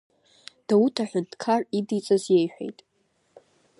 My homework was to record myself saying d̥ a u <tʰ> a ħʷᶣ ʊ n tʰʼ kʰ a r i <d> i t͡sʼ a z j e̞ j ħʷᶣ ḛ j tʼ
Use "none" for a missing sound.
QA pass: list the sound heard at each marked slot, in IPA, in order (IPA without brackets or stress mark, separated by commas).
tʰ, d